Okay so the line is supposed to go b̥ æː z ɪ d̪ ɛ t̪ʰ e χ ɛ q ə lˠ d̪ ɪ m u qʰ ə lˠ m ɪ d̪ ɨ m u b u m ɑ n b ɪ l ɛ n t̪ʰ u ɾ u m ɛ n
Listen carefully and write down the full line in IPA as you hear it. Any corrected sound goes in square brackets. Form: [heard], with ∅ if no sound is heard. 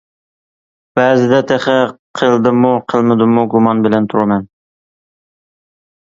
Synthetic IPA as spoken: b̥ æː z ɪ d̪ ɛ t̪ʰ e χ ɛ [qʰ] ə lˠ d̪ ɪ m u qʰ ə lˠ m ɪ d̪ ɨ m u [ɡ] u m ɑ n b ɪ l ɛ n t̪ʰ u ɾ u m ɛ n